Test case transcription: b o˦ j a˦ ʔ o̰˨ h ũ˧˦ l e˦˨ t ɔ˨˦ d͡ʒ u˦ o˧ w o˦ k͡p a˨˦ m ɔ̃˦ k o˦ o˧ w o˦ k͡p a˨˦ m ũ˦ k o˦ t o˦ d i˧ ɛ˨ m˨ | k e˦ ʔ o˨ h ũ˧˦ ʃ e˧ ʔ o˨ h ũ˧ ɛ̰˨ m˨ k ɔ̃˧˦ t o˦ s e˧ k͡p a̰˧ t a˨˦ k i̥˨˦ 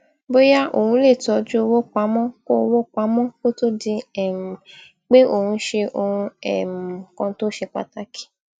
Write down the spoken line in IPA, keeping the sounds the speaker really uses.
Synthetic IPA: b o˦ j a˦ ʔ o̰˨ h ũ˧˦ l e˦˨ t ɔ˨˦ d͡ʒ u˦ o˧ w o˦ k͡p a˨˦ m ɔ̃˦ k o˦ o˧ w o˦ k͡p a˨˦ m ɔ̃˦ k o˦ t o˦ d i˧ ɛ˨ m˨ | k͡p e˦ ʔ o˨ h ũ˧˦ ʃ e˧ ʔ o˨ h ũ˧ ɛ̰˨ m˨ k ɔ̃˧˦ t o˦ ʃ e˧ k͡p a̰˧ t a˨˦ k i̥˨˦